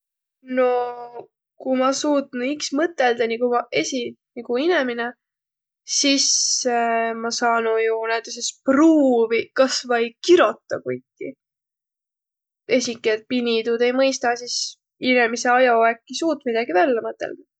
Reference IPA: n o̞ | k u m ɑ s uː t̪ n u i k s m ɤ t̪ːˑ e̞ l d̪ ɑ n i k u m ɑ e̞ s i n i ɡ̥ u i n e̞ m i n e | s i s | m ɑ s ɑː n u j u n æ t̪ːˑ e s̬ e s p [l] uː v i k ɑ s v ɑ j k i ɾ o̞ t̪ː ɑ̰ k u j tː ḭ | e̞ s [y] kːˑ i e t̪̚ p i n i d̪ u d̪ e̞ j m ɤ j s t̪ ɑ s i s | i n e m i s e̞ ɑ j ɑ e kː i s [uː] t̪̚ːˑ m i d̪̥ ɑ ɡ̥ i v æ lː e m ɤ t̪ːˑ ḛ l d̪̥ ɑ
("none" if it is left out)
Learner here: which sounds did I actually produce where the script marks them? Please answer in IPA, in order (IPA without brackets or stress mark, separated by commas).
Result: r, i, uː